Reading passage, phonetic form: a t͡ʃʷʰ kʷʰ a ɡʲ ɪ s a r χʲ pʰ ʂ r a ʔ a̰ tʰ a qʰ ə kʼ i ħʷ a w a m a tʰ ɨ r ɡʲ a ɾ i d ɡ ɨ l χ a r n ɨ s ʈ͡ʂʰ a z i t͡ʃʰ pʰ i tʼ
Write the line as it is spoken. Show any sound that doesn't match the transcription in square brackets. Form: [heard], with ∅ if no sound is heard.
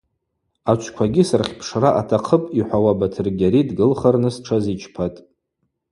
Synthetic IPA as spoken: a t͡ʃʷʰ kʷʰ a ɡʲ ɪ s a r χʲ pʰ ʂ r a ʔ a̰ tʰ a qʰ ə [pʼ] i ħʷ a w a [b] a tʰ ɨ r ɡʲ a ɾ i d ɡ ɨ l χ a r n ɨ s ʈ͡ʂʰ a z i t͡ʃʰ pʰ [a] tʼ